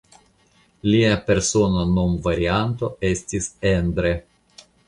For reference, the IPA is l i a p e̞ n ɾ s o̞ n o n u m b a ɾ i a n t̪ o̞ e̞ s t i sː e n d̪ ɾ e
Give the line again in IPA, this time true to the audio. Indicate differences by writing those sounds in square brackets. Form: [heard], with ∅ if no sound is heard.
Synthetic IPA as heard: l i a p e̞ [∅] ɾ s o̞ n o n [o] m [v] a ɾ i a n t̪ o̞ e̞ s t i [s] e n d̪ ɾ e